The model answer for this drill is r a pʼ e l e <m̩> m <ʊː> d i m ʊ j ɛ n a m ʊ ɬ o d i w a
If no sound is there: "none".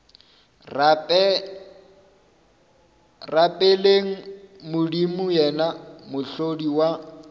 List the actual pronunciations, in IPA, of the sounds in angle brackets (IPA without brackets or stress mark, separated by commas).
ŋ̩, ʊ